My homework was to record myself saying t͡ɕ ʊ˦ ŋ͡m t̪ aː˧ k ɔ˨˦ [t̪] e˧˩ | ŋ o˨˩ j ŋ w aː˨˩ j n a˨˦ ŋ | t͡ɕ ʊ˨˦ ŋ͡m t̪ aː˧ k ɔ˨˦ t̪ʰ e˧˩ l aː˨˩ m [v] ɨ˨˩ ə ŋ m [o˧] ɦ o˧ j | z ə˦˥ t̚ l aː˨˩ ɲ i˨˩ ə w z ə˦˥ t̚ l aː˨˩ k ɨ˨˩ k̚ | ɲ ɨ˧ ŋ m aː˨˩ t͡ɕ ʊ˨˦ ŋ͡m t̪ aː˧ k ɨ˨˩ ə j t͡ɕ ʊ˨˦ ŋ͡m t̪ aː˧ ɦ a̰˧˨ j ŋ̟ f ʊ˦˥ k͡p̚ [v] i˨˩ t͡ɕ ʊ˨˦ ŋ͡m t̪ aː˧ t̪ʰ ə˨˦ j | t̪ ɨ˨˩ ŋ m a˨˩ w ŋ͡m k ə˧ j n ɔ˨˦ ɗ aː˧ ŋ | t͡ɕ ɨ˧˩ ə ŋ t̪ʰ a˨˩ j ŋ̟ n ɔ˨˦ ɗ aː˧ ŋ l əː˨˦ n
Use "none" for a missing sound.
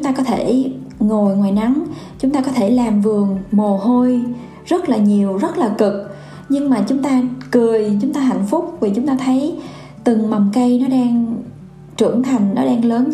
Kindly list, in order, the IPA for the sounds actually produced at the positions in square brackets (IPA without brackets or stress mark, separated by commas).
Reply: t̪ʰ, v, o˨˩, v